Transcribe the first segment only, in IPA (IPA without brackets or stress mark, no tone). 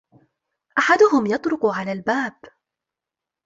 ʔ